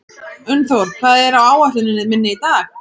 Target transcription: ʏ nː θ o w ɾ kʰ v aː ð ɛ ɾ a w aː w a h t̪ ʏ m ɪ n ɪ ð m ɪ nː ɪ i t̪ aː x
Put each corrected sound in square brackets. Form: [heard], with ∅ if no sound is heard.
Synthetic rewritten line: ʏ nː θ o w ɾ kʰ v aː ð ɛ ɾ a w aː w a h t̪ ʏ [n] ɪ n ɪ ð m ɪ nː ɪ i t̪ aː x